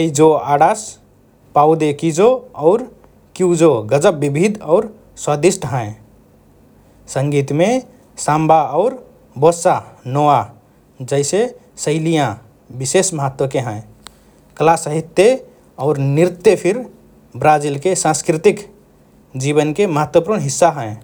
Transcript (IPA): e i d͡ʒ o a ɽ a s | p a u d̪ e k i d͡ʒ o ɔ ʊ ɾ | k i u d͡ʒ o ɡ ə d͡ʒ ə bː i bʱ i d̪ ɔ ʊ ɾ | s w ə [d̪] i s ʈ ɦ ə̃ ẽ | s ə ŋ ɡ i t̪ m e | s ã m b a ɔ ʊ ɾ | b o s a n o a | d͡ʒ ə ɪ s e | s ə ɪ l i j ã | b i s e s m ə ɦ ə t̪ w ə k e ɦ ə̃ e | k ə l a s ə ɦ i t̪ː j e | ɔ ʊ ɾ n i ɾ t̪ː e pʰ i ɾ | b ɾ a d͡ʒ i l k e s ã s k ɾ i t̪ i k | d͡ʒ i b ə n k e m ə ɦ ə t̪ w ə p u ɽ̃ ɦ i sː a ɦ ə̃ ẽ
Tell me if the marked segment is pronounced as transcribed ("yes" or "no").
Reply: yes